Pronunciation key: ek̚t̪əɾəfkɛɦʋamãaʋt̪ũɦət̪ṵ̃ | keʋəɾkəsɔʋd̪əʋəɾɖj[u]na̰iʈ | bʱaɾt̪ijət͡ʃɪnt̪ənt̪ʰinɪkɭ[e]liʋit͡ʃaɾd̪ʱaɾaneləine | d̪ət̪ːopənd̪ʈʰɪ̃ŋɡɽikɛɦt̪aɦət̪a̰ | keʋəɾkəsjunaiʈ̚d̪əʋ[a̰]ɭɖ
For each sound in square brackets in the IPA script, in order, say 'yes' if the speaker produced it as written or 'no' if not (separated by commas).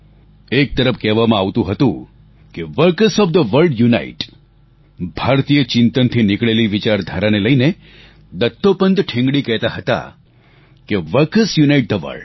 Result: yes, yes, no